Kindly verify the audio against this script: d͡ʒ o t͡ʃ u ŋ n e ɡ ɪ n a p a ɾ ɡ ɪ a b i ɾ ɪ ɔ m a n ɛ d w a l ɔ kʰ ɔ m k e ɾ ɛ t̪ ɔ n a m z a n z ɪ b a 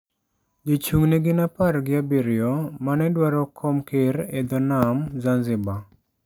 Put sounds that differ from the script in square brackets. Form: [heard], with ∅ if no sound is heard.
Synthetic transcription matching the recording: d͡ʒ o t͡ʃ u ŋ n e ɡ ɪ n a p a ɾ ɡ ɪ a b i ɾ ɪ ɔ m a n ɛ d w a [ɾ] ɔ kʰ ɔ m k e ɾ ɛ [d̪] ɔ n a m z a n z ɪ b a